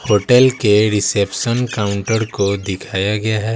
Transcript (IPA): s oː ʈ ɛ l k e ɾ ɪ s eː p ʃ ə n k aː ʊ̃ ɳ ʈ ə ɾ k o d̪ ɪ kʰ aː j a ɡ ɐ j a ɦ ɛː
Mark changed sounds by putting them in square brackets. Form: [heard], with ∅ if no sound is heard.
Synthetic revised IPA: [h] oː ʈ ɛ l k e ɾ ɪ s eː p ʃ ə n k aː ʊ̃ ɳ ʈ ə ɾ k o d̪ ɪ kʰ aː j a ɡ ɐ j a ɦ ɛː